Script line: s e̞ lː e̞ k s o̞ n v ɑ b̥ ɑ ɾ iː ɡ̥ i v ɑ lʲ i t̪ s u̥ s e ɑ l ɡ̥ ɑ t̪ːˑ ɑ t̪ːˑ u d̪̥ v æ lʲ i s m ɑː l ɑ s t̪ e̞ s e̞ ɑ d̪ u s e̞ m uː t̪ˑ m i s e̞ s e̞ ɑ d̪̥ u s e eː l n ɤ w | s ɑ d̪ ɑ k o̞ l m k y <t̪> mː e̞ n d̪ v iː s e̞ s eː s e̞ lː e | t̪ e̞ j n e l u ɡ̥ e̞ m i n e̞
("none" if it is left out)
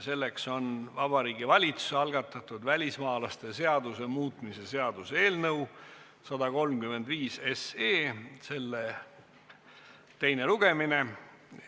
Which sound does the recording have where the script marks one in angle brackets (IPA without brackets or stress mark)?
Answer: none